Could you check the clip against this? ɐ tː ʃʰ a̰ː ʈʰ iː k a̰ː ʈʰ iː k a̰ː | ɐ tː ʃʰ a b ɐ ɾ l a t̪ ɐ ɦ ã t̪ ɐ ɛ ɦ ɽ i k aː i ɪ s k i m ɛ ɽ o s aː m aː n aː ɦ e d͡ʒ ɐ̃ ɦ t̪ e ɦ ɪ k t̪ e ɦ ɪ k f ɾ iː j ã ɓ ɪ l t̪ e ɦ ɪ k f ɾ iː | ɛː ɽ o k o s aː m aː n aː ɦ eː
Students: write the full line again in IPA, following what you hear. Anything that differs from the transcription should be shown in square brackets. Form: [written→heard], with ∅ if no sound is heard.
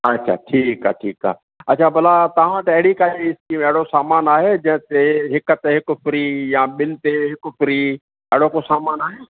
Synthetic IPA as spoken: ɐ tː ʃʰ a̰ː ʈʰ iː k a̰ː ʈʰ iː k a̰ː | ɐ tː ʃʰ a b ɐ [ɾ→∅] l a t̪ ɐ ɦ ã t̪ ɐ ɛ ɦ ɽ i k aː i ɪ s k i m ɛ ɽ o s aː m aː n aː ɦ e d͡ʒ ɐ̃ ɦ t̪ e ɦ ɪ k t̪ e ɦ ɪ k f ɾ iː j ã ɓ ɪ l t̪ e ɦ ɪ k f ɾ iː | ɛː ɽ o k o s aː m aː n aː ɦ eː